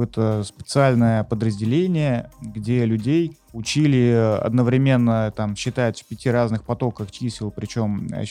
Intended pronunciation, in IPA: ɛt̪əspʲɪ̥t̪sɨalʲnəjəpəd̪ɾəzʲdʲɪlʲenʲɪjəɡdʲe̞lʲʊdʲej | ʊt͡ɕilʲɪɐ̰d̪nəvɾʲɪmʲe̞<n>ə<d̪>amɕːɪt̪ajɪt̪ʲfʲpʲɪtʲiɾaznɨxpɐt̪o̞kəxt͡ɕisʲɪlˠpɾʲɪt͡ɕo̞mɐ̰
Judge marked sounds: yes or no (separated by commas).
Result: no, no